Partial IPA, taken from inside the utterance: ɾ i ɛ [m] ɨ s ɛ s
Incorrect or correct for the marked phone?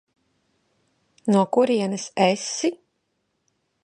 incorrect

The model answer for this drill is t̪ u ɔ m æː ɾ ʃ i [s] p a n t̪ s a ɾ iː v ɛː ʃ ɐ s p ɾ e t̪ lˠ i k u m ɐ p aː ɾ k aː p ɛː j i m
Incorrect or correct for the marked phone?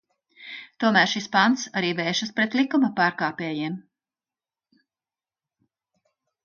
correct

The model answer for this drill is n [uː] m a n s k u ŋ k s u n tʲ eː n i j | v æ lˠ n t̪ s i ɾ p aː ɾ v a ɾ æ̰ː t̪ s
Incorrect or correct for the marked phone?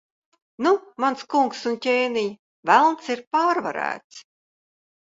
incorrect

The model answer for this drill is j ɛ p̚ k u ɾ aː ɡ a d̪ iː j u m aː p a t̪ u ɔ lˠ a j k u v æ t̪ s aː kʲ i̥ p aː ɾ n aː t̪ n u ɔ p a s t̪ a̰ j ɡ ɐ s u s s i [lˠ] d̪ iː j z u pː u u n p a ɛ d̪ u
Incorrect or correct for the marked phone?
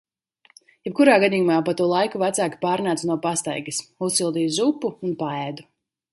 correct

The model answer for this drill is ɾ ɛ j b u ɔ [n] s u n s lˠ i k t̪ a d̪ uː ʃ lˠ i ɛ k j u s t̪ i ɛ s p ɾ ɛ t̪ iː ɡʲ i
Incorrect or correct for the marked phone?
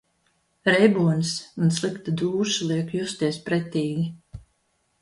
correct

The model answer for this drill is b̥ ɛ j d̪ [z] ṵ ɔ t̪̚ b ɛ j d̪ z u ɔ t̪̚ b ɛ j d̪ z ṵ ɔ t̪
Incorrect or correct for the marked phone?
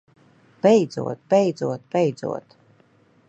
correct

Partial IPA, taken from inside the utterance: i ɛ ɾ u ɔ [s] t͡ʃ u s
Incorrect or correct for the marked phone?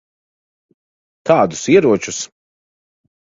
incorrect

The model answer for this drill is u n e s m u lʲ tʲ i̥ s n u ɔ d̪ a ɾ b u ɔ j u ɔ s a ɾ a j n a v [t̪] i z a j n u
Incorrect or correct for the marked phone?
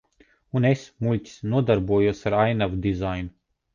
incorrect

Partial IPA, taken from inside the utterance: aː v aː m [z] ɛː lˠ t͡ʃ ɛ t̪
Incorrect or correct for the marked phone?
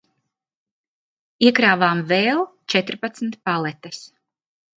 incorrect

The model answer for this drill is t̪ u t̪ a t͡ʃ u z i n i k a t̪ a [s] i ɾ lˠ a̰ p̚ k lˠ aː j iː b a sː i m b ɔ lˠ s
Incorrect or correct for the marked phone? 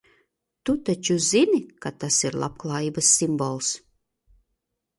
correct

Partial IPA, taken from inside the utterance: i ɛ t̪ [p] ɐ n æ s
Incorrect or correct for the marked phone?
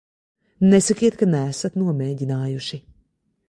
incorrect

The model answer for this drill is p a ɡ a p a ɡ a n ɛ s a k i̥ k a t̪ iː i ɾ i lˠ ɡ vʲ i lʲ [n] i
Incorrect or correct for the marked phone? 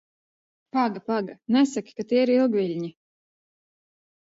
incorrect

